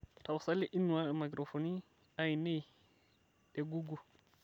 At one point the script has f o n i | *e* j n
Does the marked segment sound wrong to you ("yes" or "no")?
yes